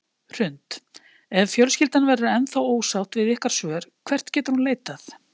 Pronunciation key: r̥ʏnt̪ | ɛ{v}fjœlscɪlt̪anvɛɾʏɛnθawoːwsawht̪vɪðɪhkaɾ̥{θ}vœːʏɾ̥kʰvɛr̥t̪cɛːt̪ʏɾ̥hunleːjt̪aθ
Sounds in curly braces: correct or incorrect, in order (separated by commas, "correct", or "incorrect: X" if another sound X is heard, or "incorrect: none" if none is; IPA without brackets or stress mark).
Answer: correct, incorrect: s